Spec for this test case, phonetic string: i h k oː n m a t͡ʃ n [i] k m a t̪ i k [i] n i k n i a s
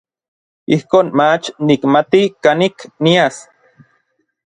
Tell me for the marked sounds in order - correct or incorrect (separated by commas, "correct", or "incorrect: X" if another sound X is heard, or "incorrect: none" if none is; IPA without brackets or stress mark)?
correct, incorrect: a